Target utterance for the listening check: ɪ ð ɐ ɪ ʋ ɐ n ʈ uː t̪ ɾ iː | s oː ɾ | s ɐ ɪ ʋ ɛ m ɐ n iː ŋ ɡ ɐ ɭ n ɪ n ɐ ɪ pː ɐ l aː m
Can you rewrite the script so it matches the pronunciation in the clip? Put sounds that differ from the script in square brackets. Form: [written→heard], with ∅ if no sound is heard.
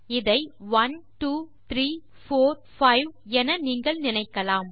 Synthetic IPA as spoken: ɪ ð ɐ ɪ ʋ ɐ n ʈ uː t̪ ɾ iː | [s→f] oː ɾ | [s→f] ɐ ɪ ʋ ɛ [m→n] ɐ n iː ŋ ɡ ɐ ɭ n ɪ n ɐ ɪ [pː→kː] ɐ l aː m

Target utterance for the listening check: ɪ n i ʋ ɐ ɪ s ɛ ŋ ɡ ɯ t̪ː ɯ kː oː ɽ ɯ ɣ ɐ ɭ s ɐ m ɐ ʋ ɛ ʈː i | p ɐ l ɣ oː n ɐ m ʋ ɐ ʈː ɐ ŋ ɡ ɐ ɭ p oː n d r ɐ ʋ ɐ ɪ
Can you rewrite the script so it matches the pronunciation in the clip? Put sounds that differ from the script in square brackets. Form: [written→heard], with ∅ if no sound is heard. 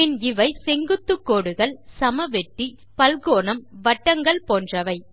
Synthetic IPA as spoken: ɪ n [i→ɪ] ʋ ɐ ɪ s ɛ ŋ ɡ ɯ t̪ː ɯ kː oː ɽ ɯ ɣ ɐ ɭ s ɐ m ɐ ʋ ɛ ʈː i | p ɐ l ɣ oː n ɐ m ʋ ɐ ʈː ɐ ŋ ɡ ɐ ɭ p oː n d r ɐ ʋ ɐ ɪ

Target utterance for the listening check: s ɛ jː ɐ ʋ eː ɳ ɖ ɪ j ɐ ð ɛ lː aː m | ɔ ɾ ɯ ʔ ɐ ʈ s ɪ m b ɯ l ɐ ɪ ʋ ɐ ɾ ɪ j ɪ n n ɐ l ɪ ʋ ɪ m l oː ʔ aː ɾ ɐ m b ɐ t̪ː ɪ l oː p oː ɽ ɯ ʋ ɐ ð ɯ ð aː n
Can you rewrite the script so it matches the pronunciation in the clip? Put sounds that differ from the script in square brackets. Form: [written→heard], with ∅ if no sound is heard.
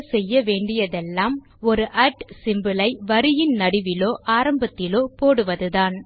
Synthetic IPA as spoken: s ɛ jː ɐ ʋ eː ɳ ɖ ɪ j ɐ ð ɛ lː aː m | ɔ ɾ ɯ ʔ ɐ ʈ s ɪ m b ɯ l ɐ ɪ ʋ ɐ ɾ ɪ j ɪ n n ɐ [l→ɽ] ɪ ʋ ɪ [m→∅] l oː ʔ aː ɾ ɐ m b ɐ t̪ː ɪ l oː p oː ɽ ɯ ʋ ɐ ð ɯ ð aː n

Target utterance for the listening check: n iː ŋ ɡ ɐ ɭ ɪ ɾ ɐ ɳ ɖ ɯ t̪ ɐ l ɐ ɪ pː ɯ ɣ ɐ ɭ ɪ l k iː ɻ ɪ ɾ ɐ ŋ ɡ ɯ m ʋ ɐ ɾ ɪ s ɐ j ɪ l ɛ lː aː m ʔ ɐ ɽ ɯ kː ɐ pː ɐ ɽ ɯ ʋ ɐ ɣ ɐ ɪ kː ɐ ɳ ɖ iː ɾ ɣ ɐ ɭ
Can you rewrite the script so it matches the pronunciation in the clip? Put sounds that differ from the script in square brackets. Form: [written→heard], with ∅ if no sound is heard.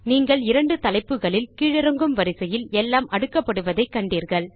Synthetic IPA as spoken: n iː ŋ ɡ ɐ ɭ ɪ ɾ ɐ ɳ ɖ ɯ t̪ ɐ l ɐ ɪ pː ɯ ɣ ɐ ɭ ɪ l k iː ɻ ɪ ɾ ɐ ŋ ɡ ɯ m ʋ ɐ ɾ ɪ s ɐ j ɪ l ɛ lː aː m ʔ ɐ ɽ ɯ kː ɐ pː ɐ ɽ ɯ ʋ ɐ [ɣ→ð] ɐ ɪ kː ɐ ɳ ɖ iː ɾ ɣ ɐ ɭ

